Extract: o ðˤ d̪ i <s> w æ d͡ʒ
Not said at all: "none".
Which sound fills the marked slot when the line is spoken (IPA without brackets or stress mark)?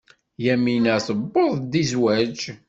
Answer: z